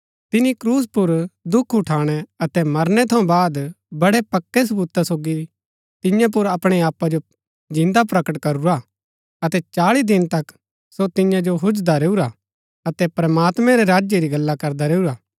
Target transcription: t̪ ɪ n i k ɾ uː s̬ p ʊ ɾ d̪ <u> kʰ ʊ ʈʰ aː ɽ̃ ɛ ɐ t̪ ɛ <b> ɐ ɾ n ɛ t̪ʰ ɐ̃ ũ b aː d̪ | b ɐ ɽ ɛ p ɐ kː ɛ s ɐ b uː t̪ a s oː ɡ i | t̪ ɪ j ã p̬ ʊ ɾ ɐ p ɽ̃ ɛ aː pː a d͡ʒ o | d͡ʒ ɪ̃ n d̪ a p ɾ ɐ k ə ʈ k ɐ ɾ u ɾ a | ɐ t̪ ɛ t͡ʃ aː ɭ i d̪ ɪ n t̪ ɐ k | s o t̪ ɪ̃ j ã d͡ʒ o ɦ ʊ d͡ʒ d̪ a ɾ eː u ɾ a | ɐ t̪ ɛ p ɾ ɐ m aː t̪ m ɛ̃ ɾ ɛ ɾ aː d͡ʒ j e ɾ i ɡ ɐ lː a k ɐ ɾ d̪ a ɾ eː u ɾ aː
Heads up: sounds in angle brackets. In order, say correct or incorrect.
incorrect, incorrect

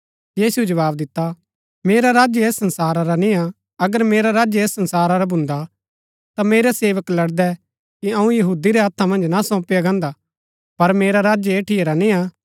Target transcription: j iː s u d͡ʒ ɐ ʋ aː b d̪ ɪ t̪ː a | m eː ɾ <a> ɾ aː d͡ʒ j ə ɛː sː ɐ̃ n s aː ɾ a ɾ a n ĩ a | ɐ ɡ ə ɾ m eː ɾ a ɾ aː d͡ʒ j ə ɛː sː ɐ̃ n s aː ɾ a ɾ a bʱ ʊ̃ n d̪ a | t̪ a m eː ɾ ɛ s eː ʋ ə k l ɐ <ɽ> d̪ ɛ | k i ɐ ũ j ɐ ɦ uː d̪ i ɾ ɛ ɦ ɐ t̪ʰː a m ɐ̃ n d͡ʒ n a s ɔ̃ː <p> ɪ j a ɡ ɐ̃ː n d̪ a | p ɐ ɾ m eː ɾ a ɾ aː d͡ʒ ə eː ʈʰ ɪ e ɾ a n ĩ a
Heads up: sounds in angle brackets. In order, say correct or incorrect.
correct, correct, correct

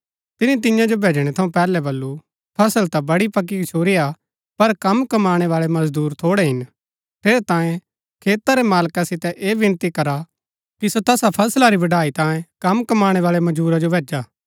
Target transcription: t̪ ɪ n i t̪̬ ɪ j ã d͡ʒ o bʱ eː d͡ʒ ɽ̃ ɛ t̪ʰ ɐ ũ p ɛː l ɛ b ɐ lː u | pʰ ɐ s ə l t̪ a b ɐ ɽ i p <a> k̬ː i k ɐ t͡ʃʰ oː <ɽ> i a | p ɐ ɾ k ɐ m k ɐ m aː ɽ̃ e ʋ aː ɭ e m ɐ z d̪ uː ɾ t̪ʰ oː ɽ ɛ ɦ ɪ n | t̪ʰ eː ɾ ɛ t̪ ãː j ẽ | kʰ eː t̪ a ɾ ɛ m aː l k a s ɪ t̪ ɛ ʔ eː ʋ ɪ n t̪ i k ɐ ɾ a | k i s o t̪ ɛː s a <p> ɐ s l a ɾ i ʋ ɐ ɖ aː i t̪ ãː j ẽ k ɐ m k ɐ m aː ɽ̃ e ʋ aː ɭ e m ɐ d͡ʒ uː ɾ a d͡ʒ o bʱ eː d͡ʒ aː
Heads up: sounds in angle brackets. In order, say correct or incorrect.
incorrect, incorrect, incorrect

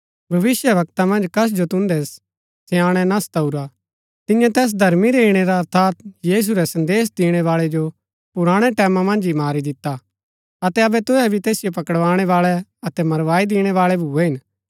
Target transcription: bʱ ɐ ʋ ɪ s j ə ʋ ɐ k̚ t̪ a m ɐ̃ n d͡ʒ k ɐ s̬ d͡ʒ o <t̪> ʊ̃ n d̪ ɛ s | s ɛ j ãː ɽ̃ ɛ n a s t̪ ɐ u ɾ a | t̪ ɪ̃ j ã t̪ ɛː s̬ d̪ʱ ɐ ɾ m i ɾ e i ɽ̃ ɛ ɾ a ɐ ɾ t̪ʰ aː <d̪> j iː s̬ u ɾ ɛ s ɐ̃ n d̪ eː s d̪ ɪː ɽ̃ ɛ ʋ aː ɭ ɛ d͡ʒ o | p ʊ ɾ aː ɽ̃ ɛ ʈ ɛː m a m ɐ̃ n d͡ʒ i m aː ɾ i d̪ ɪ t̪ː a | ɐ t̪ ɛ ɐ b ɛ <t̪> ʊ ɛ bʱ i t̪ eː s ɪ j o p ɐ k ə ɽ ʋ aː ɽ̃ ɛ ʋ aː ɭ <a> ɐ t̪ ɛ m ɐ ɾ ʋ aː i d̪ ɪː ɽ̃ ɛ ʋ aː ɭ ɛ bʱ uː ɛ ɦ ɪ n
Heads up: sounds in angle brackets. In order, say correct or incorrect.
correct, incorrect, correct, incorrect

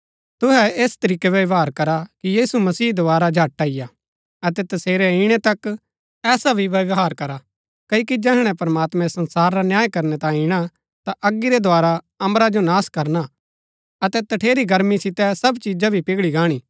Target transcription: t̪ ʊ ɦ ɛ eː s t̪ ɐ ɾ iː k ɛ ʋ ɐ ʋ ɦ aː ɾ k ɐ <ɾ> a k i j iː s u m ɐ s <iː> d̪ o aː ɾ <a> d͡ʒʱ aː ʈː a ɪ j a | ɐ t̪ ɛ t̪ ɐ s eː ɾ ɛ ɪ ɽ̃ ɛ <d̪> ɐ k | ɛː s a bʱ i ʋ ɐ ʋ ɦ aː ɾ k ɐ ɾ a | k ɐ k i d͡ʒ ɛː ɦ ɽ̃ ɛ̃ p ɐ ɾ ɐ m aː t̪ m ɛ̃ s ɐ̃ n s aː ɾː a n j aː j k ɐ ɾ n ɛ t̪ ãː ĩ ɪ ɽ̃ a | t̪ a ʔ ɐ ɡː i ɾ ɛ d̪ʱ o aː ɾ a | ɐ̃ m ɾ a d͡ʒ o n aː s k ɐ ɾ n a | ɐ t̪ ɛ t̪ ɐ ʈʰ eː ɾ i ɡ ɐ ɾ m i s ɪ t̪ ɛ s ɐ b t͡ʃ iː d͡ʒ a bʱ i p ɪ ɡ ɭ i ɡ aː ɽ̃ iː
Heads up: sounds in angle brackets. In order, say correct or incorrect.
correct, correct, correct, incorrect

